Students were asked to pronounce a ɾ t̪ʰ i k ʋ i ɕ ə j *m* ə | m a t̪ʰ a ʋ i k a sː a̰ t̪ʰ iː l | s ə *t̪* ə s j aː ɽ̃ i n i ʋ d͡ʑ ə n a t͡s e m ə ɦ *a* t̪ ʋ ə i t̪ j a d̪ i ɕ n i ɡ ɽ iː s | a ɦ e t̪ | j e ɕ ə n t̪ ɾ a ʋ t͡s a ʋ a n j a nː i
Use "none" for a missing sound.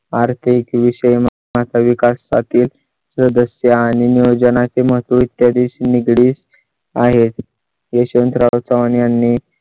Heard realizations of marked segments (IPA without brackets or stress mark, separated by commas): m, d̪, ə